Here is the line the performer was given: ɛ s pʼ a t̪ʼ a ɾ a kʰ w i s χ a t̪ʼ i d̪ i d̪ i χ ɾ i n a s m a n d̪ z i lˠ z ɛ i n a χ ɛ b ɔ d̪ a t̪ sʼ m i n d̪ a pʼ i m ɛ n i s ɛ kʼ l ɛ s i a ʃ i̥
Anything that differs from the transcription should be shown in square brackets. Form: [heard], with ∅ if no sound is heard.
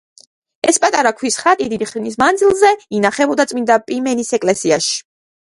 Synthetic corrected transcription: ɛ s pʼ a t̪ʼ a ɾ a kʰ w i s χ a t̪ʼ i d̪ i d̪ i χ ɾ i n [i] s m a n d̪ z i lˠ z ɛ i n a χ ɛ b ɔ d̪ a t̪ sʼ m i n d̪ a pʼ i m ɛ n i s ɛ kʼ l ɛ s i a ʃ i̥